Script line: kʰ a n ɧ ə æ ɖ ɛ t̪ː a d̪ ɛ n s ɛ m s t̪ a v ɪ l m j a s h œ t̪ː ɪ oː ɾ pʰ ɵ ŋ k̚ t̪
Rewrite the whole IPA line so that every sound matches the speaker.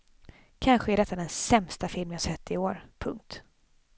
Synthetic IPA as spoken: kʰ a n ɧ ə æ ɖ ɛ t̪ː a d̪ ɛ n s ɛ m s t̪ a f ɪ l m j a s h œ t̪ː ɪ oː ɾ pʰ ɵ ŋ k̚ t̪